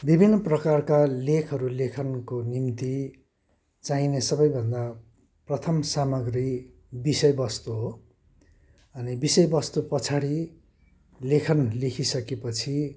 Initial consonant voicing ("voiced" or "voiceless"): voiced